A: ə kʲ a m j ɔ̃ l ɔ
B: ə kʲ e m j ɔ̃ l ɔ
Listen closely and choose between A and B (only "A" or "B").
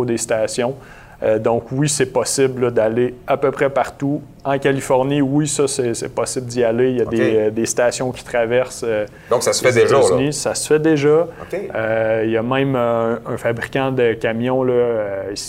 A